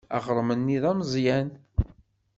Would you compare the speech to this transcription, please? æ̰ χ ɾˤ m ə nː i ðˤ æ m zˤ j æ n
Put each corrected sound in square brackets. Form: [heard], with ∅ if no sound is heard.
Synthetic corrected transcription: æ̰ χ ɾˤ m ə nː i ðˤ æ m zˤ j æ n